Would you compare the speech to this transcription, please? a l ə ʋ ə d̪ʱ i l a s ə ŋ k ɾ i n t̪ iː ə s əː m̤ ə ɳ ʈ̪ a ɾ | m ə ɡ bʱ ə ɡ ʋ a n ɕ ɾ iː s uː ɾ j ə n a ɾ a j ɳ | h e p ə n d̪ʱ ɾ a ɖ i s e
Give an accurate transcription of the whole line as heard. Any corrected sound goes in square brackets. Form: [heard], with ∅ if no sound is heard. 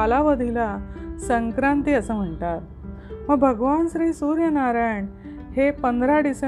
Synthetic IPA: a l [a] ʋ ə d̪ʱ i l a s ə ŋ k ɾ [a] n t̪ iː ə s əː m̤ ə ɳ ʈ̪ a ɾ | m ə ɡ bʱ ə ɡ ʋ a n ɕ ɾ iː s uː ɾ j ə n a ɾ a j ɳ | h e p ə n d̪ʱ ɾ a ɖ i s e